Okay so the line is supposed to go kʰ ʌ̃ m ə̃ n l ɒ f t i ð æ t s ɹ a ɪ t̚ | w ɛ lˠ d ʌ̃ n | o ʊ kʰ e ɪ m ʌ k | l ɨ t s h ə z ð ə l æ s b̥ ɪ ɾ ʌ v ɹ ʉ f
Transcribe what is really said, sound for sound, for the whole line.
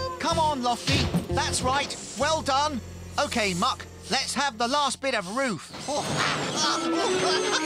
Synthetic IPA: kʰ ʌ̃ m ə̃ n l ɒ f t i ð æ t s ɹ a ɪ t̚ | w ɛ lˠ d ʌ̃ n | o ʊ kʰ e ɪ m ʌ k | l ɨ t s h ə v ð ə l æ s b̥ ɪ ɾ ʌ v ɹ ʉ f